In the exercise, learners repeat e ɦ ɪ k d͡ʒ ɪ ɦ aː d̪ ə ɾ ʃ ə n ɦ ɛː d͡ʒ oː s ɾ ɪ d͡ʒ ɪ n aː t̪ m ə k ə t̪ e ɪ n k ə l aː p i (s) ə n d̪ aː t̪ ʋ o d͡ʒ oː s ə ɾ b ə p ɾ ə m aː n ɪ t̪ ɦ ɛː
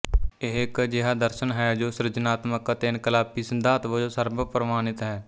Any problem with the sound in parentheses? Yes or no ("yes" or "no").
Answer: no